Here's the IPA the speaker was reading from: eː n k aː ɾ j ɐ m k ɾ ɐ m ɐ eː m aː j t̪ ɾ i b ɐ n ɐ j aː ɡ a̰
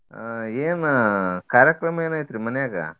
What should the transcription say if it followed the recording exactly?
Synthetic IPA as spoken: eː n k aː ɾ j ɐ k ɾ ɐ m ɐ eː n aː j t̪ ɾ i m ɐ n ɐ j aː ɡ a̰